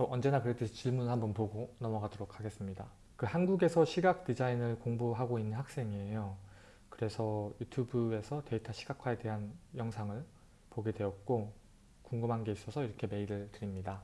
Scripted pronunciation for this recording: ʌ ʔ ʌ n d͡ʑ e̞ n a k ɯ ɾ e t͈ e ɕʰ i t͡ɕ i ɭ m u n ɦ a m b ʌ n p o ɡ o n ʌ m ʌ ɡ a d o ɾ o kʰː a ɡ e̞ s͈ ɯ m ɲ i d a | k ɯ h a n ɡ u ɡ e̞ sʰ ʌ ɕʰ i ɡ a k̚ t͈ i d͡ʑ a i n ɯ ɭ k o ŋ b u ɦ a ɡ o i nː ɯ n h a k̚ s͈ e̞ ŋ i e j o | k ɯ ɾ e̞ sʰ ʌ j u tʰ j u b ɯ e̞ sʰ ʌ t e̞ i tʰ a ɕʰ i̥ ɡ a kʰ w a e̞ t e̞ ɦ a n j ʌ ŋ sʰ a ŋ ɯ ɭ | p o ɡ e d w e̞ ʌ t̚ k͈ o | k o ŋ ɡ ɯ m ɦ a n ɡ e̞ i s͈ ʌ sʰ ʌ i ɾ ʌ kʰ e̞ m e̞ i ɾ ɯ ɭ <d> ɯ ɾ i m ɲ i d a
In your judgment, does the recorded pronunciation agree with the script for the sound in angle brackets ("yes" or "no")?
no